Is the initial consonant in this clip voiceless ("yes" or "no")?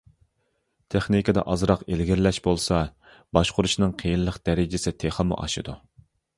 yes